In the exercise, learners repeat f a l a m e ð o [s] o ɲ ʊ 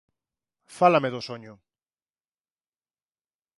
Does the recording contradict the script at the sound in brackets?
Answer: no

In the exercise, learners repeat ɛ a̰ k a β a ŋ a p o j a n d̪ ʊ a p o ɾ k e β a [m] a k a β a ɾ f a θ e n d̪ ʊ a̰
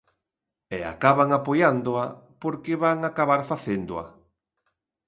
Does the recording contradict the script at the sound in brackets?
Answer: yes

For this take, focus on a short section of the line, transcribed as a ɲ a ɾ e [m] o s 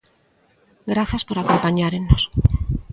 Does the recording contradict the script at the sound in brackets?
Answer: yes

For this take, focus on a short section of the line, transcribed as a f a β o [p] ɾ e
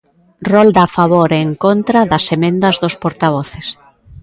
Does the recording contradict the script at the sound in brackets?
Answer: yes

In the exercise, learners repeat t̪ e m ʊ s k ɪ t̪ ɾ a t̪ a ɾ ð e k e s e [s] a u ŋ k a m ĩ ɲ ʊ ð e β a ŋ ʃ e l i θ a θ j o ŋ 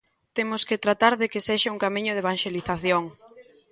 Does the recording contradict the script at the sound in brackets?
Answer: yes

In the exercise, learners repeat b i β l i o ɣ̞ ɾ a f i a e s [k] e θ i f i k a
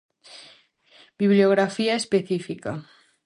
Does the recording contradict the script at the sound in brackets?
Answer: yes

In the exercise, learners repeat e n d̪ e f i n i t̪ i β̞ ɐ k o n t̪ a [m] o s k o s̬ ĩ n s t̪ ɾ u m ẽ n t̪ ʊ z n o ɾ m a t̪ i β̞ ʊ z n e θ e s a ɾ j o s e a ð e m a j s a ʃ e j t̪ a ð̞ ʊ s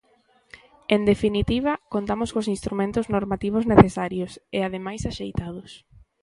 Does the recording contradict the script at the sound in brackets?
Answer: no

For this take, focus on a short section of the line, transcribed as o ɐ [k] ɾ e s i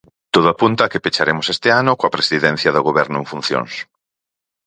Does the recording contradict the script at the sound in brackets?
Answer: yes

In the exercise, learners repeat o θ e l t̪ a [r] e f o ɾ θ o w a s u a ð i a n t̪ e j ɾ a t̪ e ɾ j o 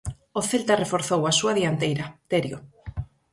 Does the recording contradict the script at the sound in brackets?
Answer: no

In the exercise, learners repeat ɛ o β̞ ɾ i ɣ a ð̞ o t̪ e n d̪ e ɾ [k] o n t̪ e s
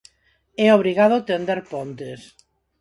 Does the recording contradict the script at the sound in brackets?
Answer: yes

